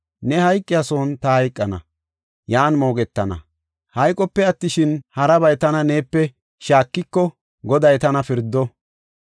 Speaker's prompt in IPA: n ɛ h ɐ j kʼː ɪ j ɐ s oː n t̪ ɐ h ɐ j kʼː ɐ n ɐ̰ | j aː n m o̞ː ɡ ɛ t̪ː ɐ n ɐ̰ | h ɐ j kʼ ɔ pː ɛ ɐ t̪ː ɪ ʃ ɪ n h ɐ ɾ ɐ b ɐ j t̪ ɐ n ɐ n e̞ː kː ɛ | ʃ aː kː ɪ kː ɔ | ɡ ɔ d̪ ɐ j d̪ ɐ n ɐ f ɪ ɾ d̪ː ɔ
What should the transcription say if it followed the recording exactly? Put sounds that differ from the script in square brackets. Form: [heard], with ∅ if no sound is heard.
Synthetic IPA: n ɛ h ɐ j kʼː ɪ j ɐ s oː n t̪ ɐ h ɐ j kʼː ɐ n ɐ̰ | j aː n m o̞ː ɡ ɛ t̪ː ɐ n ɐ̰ | h ɐ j kʼ ɔ pː ɛ ɐ t̪ː ɪ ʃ ɪ n h ɐ ɾ ɐ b ɐ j t̪ ɐ n ɐ n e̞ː [pː] ɛ | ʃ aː kː ɪ kː ɔ | ɡ ɔ d̪ ɐ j [t̪] ɐ n ɐ f ɪ ɾ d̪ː ɔ

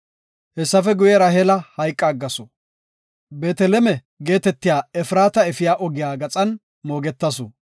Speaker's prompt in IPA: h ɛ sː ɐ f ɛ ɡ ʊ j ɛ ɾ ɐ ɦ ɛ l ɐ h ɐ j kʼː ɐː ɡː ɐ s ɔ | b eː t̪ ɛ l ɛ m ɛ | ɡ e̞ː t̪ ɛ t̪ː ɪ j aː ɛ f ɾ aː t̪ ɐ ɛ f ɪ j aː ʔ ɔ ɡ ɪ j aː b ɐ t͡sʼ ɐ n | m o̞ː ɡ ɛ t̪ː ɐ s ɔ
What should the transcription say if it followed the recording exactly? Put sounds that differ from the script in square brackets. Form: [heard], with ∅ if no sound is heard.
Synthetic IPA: h ɛ sː ɐ f ɛ ɡ ʊ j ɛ ɾ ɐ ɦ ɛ l ɐ h ɐ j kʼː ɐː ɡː ɐ s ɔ | b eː t̪ ɛ l ɛ m ɛ | ɡ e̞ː t̪ ɛ t̪ː ɪ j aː ɛ f ɾ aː t̪ ɐ ɛ f ɪ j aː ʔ ɔ ɡ ɪ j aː [ɡ] ɐ t͡sʼ ɐ n | m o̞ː ɡ ɛ t̪ː ɐ s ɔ

